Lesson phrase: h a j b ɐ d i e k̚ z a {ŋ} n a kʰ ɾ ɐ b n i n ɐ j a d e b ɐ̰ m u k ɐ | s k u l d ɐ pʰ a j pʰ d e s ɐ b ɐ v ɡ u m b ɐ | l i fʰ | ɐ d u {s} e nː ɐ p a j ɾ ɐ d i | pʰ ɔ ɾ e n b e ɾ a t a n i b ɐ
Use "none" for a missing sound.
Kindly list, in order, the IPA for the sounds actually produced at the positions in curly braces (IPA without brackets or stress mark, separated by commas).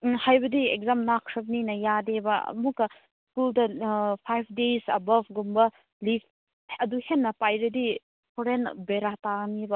m, h